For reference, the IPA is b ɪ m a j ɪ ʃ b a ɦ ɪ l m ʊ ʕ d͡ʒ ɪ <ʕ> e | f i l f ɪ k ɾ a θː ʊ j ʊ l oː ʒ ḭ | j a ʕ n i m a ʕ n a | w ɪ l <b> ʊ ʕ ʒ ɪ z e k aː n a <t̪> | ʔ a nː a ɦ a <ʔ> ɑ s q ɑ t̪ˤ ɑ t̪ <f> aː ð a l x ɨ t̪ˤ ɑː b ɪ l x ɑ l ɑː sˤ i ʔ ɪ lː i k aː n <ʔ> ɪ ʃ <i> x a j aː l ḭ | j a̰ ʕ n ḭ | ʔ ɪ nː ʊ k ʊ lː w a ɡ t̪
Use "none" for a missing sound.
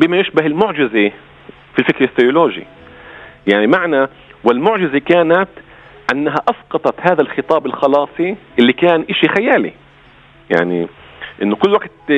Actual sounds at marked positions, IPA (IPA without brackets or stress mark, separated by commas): z, m, t̪, ʔ, h, ʔ, i